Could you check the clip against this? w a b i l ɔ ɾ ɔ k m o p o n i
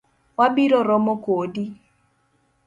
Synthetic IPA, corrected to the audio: w a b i ɾ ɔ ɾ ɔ m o k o d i

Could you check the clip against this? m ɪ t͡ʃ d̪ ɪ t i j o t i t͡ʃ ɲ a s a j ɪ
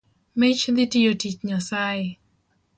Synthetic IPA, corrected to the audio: m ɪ t͡ʃ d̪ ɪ t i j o t i t͡ʃ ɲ a s a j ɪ

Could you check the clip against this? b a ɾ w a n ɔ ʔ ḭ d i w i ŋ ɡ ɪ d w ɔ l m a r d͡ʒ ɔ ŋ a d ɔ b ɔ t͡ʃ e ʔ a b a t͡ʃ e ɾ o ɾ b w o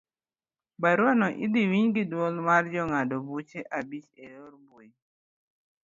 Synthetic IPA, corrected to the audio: b a ɾ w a n ɔ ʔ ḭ d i w i ɲ ɡ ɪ d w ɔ l m a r d͡ʒ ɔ ŋ a d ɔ b u t͡ʃ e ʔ a b i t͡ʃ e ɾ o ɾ b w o

